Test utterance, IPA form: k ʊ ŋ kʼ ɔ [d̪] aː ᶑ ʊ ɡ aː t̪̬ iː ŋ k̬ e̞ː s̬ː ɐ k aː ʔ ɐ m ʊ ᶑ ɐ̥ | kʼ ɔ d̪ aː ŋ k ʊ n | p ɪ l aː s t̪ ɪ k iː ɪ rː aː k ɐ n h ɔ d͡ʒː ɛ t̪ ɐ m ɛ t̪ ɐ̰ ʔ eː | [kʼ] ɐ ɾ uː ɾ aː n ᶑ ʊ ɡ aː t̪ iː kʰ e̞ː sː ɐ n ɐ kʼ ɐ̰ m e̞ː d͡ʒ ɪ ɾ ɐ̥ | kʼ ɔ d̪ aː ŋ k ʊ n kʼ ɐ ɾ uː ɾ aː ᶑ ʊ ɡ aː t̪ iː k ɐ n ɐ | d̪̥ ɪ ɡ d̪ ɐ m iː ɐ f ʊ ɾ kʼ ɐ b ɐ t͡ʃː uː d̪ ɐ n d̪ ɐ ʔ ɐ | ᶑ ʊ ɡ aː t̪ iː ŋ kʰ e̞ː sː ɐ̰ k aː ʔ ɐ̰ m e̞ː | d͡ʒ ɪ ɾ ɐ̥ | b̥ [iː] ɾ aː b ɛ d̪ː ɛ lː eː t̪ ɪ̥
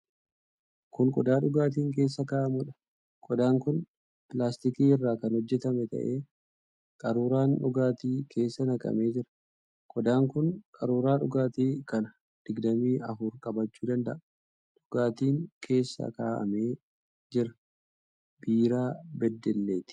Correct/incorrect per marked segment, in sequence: correct, correct, correct

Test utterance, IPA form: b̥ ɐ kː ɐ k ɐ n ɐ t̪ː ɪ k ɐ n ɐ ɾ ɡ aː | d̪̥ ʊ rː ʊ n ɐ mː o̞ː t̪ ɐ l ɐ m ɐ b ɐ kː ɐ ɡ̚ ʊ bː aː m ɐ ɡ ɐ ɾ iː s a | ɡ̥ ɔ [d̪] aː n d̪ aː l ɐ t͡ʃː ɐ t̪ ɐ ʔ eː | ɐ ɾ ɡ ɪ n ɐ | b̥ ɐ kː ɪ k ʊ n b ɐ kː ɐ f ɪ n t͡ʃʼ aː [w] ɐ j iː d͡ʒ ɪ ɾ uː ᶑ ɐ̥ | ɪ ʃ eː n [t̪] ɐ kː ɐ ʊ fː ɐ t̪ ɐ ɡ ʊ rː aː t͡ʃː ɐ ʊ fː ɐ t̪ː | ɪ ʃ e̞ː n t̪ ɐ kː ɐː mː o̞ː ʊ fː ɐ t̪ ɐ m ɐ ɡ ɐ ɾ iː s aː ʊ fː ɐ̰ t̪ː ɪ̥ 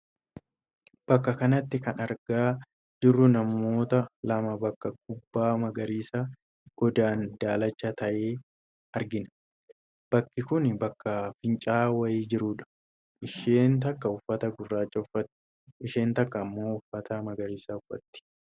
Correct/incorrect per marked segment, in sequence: correct, correct, correct

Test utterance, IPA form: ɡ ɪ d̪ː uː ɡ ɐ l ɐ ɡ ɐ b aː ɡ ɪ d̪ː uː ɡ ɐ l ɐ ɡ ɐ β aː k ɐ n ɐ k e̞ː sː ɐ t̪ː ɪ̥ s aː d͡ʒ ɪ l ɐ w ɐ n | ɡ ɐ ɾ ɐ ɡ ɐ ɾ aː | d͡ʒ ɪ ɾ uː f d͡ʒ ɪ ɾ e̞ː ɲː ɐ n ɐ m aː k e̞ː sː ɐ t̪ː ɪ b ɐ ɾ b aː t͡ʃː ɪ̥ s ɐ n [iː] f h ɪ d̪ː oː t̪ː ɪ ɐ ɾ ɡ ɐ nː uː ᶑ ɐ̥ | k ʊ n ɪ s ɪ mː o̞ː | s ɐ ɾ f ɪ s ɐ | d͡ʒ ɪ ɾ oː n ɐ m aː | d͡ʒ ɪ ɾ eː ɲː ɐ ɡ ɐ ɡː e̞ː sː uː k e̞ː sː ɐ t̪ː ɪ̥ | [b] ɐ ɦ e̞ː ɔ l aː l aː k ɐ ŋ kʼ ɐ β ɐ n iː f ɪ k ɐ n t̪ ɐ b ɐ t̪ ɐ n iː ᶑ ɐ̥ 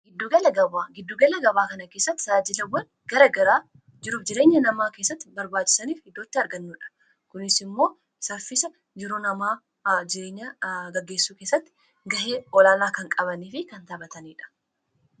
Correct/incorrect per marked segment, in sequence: correct, incorrect: ɡ

